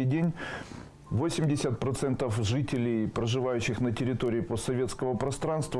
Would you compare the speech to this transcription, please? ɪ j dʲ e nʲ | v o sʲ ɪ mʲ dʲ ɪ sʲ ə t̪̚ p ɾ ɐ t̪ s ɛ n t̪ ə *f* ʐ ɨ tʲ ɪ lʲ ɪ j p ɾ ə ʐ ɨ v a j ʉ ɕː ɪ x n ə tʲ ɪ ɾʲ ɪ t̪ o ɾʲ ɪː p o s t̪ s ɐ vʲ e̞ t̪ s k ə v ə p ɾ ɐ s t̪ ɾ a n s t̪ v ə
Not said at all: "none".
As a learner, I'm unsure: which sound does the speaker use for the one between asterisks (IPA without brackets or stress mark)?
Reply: f